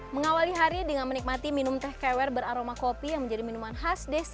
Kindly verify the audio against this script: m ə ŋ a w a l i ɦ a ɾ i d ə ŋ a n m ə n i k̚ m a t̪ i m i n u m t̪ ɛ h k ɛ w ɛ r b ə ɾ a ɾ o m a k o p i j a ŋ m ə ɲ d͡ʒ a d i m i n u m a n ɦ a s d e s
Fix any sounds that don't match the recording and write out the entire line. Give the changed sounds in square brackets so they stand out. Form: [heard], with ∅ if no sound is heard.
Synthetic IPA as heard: m ə ŋ a w a l i ɦ a ɾ i d ə ŋ a n m ə n i k̚ m a t̪ i m i n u m t̪ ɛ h k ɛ w ɛ r b ə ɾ a ɾ o m a k o p i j a ŋ m ə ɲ d͡ʒ a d i m i n u m a n ɦ a s d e s